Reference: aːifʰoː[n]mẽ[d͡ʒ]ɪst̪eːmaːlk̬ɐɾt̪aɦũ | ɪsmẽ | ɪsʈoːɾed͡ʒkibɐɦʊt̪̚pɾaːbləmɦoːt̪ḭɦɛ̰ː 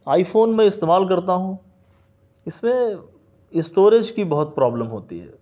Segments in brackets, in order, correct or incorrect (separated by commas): correct, incorrect